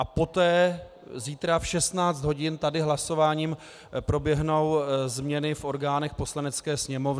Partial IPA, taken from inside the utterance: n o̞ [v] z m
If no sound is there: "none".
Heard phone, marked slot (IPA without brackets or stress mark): w